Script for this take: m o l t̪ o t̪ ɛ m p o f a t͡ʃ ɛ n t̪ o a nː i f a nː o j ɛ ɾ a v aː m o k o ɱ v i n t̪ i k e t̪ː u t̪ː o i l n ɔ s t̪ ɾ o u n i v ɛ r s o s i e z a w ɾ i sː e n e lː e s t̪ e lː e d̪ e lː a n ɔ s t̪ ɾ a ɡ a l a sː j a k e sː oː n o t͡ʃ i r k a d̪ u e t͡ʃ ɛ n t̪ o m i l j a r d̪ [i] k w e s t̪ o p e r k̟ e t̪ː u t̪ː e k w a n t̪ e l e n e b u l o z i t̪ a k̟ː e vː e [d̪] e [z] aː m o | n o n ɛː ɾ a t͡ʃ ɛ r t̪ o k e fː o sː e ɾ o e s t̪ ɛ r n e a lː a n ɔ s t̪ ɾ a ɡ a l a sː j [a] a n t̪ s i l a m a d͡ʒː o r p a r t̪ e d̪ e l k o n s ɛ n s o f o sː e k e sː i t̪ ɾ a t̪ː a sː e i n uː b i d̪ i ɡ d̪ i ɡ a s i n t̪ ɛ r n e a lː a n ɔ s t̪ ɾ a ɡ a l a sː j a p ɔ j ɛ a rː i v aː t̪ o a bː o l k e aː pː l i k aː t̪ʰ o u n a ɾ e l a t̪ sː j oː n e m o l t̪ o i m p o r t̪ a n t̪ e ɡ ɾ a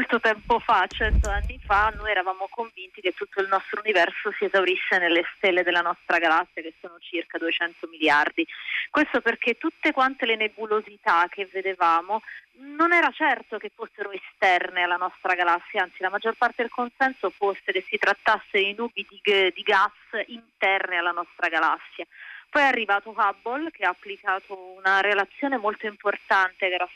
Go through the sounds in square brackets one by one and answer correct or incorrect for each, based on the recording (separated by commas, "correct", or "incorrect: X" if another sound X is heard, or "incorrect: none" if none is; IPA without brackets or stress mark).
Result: correct, correct, incorrect: v, correct